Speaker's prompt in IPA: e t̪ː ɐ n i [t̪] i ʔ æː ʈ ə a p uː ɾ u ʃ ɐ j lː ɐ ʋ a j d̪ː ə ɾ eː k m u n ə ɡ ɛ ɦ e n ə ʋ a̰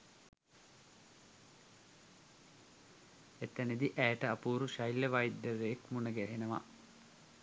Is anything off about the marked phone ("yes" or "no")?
yes